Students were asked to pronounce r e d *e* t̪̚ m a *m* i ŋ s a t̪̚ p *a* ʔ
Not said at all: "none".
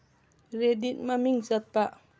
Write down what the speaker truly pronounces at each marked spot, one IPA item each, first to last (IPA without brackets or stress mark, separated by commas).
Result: i, m, a